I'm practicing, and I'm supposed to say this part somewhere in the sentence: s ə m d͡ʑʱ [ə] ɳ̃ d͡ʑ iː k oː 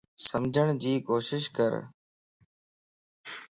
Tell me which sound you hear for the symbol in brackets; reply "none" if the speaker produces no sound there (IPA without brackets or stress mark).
ə